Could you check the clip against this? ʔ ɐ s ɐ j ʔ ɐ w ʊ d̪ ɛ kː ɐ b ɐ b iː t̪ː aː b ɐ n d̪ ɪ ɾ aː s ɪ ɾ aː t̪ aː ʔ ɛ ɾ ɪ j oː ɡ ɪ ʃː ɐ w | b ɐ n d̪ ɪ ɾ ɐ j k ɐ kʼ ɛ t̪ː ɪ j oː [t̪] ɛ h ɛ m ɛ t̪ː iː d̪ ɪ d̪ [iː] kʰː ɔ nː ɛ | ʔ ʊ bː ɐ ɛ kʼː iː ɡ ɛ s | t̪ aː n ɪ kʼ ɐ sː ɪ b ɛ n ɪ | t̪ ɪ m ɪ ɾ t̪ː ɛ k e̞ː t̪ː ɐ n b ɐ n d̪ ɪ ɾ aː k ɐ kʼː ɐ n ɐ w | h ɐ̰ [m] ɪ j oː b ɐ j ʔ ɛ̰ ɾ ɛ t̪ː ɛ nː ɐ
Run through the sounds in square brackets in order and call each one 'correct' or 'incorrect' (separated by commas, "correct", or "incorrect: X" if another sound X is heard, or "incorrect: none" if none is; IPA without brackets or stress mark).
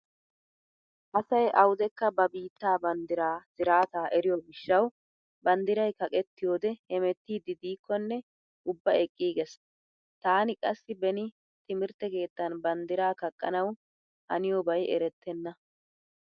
incorrect: d̪, correct, incorrect: n